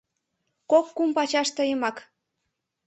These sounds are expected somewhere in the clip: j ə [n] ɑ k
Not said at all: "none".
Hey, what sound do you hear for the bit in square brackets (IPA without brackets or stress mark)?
m